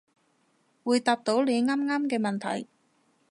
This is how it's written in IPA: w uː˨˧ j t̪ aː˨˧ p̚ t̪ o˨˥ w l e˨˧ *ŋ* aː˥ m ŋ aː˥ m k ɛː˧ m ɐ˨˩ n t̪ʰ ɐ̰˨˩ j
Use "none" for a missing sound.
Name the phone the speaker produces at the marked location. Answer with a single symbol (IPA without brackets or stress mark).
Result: ŋ